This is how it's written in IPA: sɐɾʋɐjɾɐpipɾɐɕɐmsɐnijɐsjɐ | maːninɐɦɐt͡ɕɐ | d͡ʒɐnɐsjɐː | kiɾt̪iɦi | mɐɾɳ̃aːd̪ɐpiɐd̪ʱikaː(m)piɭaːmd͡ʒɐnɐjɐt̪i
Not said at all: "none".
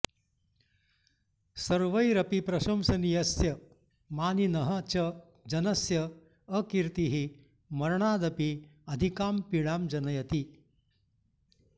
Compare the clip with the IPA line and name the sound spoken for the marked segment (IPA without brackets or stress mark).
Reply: m